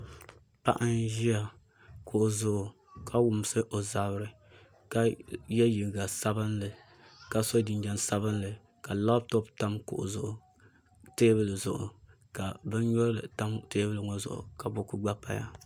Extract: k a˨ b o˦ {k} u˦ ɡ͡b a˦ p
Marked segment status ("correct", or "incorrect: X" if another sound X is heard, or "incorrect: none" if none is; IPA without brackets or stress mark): correct